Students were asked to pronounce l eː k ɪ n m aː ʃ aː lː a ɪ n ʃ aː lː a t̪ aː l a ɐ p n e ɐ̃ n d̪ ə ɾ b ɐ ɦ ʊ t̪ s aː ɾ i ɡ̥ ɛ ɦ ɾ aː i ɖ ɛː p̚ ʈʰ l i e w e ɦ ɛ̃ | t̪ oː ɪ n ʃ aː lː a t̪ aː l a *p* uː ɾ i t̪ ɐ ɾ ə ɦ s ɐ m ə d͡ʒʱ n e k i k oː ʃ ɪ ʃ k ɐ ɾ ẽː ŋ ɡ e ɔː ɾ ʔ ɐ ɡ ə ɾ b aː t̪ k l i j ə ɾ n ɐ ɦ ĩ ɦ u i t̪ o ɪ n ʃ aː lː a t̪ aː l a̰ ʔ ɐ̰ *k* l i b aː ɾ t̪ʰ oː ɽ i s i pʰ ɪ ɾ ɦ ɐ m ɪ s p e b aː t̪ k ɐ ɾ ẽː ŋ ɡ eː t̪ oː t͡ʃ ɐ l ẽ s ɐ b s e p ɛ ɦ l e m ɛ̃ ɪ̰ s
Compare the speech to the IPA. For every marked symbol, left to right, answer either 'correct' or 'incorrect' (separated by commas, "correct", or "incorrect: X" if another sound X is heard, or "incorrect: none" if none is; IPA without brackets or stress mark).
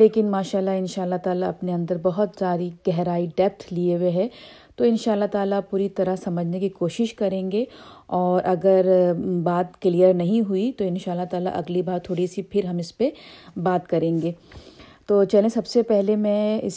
correct, incorrect: ɡ